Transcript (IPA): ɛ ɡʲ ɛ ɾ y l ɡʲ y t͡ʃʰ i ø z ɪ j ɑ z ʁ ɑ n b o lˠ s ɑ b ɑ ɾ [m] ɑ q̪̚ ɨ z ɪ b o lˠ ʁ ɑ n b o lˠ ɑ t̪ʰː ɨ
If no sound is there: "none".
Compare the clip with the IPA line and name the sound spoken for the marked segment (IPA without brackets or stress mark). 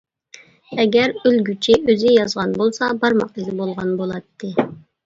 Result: m